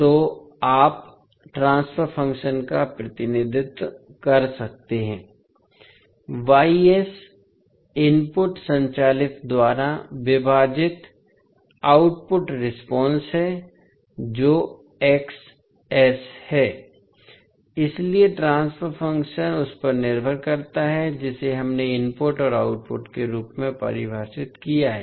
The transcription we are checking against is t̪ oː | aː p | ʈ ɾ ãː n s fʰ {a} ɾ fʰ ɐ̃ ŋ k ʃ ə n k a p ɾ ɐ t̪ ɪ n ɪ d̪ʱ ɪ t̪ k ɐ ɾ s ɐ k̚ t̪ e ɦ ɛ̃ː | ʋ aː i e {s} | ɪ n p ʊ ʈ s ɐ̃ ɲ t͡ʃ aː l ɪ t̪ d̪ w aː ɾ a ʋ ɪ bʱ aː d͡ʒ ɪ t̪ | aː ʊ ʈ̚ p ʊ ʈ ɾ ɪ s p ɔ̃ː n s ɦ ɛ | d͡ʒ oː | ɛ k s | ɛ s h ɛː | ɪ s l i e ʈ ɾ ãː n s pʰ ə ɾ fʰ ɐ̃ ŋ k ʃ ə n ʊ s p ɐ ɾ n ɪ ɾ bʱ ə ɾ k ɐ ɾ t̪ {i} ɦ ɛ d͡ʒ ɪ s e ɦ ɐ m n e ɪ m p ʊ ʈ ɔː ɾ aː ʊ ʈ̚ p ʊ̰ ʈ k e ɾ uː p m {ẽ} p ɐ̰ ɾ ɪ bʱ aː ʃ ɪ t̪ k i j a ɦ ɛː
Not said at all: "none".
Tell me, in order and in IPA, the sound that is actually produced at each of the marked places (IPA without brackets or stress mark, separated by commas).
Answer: ə, s, a, ẽ